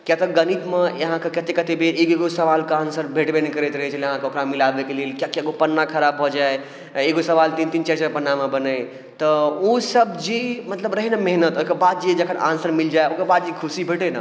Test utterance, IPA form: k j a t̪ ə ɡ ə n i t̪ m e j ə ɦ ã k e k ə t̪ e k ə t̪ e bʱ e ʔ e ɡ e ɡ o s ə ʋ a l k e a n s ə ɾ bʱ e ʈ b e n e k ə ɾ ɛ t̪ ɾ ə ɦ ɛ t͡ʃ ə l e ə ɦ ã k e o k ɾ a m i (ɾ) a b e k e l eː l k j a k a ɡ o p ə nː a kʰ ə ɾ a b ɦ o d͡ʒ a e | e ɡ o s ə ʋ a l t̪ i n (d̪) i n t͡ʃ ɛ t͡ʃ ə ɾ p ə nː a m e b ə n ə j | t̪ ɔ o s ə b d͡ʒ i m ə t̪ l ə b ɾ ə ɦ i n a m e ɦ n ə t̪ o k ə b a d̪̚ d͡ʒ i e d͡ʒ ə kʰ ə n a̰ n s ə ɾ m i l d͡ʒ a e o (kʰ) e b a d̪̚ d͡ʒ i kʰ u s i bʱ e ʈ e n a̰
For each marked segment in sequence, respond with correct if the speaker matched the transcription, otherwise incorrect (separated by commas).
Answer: incorrect, incorrect, incorrect